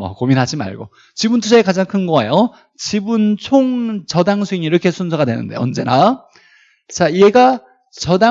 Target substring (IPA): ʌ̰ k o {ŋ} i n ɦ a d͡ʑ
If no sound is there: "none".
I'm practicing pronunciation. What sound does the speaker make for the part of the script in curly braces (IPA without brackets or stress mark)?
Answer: m